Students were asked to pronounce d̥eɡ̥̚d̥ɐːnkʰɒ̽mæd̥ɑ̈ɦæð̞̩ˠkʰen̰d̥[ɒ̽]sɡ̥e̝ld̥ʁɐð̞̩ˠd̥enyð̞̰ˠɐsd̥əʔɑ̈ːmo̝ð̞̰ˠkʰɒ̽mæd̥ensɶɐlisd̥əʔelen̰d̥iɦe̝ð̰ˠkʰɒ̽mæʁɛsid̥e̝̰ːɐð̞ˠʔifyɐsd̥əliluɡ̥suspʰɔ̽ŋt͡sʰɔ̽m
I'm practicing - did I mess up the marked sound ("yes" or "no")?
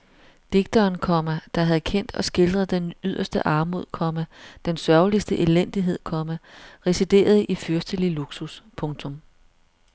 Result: no